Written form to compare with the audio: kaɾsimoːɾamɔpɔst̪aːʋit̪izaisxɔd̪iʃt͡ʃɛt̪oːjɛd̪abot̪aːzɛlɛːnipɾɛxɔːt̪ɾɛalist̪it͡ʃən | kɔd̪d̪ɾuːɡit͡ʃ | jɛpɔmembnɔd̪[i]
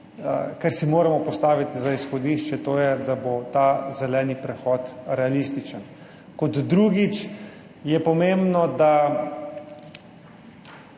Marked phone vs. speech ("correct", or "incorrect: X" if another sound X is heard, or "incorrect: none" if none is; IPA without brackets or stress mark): incorrect: a